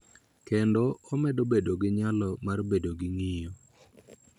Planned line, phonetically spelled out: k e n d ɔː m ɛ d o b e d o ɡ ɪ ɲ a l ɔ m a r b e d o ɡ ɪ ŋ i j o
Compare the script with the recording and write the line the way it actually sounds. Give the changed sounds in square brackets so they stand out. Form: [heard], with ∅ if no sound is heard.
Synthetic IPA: k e n d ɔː m ɛ d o b e d o ɡ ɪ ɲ a l ɔ m a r b e d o ɡ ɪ ŋ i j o